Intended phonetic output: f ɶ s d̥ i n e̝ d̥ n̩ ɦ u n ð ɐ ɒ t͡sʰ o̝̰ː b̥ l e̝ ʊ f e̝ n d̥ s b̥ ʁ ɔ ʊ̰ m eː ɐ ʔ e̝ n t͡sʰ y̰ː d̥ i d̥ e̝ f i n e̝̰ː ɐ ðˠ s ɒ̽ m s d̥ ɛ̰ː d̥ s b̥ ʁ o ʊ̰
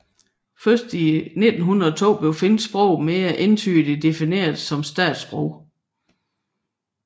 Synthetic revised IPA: f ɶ s d̥ i n e̝ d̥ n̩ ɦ u n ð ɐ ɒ t͡sʰ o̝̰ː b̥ l e̝ ʊ f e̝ n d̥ s b̥ ʁ ɔ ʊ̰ m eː ɐ ʔ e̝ n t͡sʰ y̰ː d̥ i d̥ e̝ f i n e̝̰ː ɐ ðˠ s ɒ̽ m s d̥ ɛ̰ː d̥ s b̥ ʁ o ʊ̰